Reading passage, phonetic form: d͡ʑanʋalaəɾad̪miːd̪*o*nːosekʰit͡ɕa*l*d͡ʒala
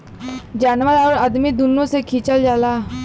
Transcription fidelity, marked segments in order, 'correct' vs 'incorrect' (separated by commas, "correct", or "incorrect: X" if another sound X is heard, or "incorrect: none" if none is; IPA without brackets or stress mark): incorrect: u, correct